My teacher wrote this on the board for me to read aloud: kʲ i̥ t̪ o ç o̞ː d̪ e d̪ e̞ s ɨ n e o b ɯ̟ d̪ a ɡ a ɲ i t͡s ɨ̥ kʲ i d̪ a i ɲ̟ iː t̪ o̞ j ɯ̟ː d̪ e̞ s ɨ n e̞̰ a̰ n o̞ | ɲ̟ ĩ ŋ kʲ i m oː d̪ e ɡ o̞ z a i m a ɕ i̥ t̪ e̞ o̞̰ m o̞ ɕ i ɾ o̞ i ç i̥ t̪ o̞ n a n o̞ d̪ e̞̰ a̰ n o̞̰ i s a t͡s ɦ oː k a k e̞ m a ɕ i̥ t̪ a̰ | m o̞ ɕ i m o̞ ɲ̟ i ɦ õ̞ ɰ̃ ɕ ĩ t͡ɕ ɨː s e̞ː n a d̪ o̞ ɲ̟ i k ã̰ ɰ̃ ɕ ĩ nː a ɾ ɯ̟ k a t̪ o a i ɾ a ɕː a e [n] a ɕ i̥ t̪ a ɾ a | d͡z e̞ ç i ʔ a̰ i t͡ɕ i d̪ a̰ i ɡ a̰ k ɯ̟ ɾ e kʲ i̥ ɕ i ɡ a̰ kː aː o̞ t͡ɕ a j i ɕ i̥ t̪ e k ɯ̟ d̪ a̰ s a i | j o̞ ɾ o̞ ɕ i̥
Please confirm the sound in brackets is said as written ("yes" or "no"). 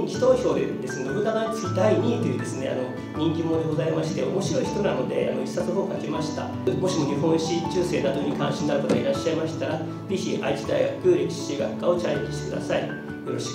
no